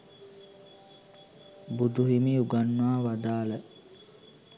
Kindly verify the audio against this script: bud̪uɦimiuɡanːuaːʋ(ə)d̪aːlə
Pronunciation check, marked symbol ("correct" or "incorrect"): incorrect